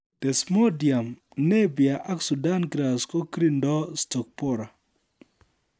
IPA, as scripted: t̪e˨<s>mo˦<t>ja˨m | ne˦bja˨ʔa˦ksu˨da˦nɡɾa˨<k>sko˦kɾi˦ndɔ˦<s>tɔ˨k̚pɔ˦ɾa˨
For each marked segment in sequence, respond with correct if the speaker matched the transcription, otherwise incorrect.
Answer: correct, incorrect, incorrect, correct

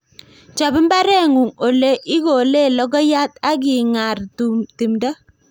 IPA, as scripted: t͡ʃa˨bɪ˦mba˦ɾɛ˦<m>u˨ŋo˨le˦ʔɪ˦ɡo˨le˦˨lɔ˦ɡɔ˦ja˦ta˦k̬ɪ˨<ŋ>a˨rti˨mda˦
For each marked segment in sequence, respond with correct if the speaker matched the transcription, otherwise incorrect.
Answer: incorrect, correct

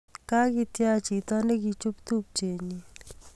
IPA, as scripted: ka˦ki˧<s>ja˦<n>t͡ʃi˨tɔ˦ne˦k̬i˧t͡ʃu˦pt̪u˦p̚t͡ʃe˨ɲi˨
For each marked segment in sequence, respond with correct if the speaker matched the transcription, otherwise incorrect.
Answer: incorrect, incorrect

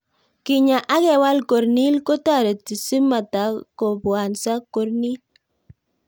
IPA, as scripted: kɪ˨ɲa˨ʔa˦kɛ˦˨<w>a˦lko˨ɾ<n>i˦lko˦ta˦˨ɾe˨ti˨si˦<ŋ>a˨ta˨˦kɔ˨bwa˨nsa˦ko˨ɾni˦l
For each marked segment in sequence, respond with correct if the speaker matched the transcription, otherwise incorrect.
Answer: correct, correct, incorrect

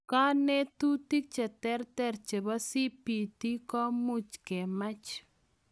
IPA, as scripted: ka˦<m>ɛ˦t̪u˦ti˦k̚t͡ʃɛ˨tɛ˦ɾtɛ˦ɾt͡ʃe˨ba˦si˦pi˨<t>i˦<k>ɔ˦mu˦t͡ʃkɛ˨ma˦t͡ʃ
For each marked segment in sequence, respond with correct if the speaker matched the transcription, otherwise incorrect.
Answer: incorrect, correct, correct

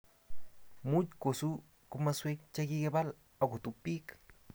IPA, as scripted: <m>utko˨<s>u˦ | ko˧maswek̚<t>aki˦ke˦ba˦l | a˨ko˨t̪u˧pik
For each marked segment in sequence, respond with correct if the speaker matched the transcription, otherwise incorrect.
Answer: correct, correct, incorrect

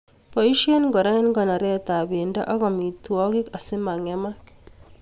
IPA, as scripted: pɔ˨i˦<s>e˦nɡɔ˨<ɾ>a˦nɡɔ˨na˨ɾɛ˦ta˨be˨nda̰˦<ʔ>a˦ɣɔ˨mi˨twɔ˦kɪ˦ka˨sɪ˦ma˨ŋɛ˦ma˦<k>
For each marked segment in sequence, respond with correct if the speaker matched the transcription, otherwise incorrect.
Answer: incorrect, correct, correct, correct

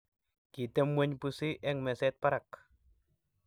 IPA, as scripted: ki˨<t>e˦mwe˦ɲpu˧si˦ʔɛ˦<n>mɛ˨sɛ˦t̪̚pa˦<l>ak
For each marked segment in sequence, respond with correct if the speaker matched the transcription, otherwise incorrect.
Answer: correct, incorrect, incorrect

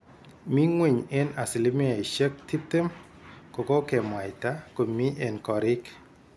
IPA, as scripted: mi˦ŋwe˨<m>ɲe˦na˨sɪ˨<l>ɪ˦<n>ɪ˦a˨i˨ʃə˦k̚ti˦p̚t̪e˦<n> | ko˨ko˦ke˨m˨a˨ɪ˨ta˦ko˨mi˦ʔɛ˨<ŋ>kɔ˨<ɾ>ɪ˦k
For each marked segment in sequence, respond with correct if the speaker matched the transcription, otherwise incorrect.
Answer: incorrect, correct, incorrect, incorrect, incorrect, correct

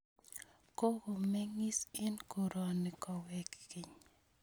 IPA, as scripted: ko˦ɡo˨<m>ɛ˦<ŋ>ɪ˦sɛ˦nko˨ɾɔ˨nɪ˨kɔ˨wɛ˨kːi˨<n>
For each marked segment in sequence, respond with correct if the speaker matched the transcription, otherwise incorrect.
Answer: correct, correct, incorrect

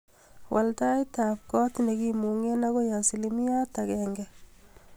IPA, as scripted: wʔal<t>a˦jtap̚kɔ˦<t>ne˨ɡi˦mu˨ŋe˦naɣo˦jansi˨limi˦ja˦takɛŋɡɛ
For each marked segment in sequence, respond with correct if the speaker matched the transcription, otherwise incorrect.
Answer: correct, correct

